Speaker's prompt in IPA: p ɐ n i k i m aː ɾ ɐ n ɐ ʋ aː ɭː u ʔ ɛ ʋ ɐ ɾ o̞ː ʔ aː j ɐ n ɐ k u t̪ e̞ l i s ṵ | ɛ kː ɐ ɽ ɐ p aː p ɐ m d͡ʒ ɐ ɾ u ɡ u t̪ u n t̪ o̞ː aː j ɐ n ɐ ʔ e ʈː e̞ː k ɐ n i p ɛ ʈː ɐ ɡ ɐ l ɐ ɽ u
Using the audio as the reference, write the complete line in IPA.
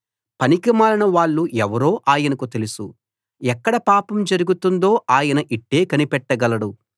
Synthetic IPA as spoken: p ɐ n i k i m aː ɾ ɐ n ɐ ʋ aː ɭː u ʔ ɛ ʋ ɐ ɾ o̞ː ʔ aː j ɐ n ɐ k u t̪ e̞ l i s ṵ | ɛ kː ɐ ɽ ɐ p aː p ɐ m d͡ʒ ɐ ɾ u ɡ u t̪ u n d̪ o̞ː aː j ɐ n ɐ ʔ i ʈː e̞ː k ɐ n i p ɛ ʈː ɐ ɡ ɐ l ɐ ɽ u